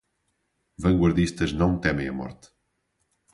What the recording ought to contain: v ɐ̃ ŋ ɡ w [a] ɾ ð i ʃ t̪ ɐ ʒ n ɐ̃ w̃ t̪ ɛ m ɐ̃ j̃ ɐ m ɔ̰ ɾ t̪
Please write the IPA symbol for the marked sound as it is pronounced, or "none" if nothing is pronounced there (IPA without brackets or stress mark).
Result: ɐ